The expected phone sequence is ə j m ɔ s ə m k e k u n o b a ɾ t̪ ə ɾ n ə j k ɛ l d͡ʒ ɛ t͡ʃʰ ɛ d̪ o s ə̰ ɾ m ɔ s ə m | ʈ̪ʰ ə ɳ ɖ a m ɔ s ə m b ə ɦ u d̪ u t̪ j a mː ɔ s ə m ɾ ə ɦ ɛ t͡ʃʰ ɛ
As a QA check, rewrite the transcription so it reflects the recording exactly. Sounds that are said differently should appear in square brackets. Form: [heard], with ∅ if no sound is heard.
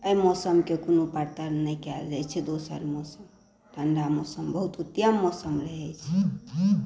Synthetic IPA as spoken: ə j m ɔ s ə m k e k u n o [p] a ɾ t̪ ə ɾ n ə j k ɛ l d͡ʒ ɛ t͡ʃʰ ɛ d̪ o s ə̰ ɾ m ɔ s ə m | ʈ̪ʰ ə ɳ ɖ a m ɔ s ə m b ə ɦ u [t̪] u t̪ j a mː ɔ s ə m ɾ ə ɦ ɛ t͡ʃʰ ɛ